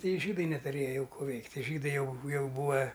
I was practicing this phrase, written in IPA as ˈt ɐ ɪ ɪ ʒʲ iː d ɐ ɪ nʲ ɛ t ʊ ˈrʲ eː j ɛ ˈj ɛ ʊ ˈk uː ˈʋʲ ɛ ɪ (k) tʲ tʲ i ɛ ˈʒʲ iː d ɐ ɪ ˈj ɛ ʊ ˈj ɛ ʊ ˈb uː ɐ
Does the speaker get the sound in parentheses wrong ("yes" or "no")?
no